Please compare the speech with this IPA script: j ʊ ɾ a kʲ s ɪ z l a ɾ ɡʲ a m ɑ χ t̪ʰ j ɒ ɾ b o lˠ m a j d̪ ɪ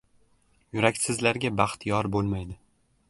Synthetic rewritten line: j ʊ ɾ a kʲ s ɪ z l a ɾ ɡʲ a b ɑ χ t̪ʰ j ɒ ɾ b o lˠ m a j d̪ ɪ